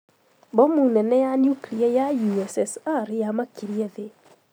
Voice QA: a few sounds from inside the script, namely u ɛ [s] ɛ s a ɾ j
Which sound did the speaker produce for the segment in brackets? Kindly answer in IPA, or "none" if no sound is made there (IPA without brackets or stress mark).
s